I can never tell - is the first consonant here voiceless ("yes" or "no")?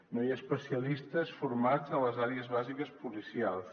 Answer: no